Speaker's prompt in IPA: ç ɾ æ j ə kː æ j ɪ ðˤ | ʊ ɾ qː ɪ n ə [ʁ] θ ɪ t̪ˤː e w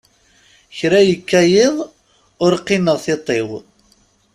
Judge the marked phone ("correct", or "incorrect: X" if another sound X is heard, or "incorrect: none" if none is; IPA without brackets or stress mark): correct